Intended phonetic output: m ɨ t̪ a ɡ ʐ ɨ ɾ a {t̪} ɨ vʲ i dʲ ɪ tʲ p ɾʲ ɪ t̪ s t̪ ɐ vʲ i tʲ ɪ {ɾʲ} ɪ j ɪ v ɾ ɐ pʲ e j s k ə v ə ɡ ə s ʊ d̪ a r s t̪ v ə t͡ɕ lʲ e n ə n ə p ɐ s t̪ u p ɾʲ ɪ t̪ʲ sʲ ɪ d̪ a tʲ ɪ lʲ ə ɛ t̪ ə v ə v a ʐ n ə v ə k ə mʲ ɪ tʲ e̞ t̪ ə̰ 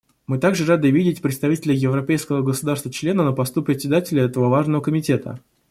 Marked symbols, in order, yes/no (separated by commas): no, no